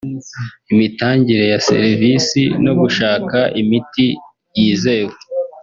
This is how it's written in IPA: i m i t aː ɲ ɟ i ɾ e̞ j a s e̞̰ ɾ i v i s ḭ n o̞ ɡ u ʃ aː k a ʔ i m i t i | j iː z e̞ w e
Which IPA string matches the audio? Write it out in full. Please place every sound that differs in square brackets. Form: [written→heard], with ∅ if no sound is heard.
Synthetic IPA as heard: i m i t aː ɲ ɟ i ɾ e̞ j a s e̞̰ ɾ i v i s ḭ n o̞ ɡ u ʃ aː k a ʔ i m i t i | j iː z e̞ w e